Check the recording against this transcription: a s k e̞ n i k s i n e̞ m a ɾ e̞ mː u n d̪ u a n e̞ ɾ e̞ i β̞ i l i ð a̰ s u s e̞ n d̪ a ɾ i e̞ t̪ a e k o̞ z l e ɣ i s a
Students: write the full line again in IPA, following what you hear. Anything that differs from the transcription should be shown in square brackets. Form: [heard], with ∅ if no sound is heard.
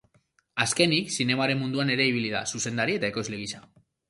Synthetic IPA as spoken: a s k e̞ n i k s i n e̞ m a ɾ e̞ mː u n d̪ u a n e̞ ɾ e̞ i β̞ i l i ð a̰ s u s e̞ n d̪ a ɾ i e̞ t̪ a e k o̞ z l e ɣ i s a